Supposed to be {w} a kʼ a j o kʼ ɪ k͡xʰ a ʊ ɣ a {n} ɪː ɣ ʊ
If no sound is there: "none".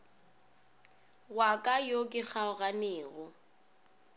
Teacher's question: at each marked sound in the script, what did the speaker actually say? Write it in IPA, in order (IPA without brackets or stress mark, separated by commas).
w, n